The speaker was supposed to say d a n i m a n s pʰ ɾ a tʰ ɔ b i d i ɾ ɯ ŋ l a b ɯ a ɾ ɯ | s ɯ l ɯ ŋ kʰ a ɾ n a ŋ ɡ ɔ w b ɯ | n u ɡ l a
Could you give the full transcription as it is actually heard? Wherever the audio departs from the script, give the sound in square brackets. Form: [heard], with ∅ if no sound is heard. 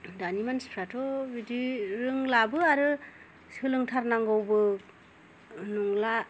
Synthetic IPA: d a n i m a n s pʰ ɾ a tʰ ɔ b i d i ɾ ɯ ŋ l a b ɯ a ɾ ɯ | s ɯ l ɯ ŋ [tʰ] a ɾ n a ŋ ɡ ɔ w b ɯ | n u [ŋ] l a